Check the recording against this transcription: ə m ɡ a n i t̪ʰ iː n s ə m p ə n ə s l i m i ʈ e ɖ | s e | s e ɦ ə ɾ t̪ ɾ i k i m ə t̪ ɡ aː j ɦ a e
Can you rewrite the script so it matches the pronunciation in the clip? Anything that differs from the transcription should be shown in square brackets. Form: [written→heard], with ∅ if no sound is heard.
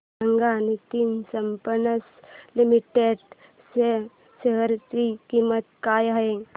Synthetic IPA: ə [m→ŋ] ɡ a n i [t̪ʰ→t̪] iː n s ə m p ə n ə s l i m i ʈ e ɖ | s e | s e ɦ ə ɾ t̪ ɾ i k i m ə t̪ [ɡ→k] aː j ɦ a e